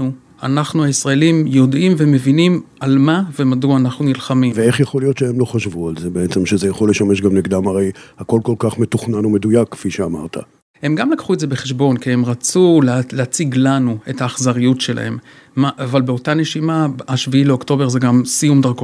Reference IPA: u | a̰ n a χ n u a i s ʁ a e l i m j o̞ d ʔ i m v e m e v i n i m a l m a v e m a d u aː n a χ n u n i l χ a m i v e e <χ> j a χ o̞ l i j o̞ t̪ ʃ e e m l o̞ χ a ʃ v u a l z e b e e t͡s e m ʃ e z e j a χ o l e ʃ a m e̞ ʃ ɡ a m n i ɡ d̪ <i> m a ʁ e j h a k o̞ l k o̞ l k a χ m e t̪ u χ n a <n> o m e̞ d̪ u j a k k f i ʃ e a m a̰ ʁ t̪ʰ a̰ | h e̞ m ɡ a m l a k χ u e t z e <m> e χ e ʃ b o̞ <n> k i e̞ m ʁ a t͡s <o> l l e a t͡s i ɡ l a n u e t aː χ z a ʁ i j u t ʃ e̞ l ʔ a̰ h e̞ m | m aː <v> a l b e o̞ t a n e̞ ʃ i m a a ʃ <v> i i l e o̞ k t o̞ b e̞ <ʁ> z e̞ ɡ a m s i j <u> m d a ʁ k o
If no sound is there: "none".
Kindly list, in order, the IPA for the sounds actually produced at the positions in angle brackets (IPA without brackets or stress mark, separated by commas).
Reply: χ, a, n, b, n, u, v, v, ʁ, u